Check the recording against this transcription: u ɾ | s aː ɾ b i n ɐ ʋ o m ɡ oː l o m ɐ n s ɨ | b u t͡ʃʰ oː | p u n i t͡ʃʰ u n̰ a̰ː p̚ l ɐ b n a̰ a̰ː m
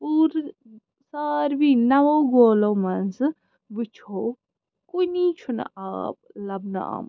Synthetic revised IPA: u ɾ | s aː ɾ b i n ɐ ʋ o ɡ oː l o m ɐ n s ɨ | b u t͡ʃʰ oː | k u n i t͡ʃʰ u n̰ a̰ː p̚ l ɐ b n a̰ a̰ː m